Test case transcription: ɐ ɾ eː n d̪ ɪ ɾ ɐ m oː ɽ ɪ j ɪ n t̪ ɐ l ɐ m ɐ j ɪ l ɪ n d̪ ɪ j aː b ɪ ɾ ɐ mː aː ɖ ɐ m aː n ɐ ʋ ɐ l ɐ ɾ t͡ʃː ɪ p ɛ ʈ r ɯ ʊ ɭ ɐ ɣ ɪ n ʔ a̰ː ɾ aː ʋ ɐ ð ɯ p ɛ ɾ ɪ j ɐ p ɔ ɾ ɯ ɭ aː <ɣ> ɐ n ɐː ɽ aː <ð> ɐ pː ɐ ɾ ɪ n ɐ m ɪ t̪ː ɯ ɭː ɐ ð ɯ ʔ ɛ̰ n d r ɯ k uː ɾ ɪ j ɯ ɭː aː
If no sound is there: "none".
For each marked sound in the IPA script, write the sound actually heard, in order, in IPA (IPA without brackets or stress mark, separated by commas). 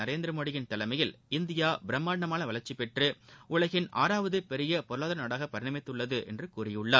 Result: ð, ɣ